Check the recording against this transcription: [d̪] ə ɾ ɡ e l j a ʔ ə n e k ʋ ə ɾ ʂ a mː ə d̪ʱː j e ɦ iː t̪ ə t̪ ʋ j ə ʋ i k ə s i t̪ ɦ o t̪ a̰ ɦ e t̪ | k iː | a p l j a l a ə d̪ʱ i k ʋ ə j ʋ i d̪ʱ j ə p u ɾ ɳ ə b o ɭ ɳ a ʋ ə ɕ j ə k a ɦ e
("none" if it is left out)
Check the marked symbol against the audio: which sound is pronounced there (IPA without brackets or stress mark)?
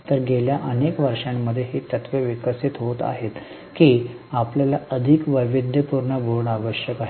t̪